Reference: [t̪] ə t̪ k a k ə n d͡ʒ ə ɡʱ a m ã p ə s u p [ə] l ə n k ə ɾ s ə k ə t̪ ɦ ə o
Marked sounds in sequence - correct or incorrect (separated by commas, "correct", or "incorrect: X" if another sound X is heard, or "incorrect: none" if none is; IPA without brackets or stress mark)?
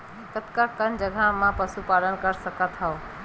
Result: correct, incorrect: a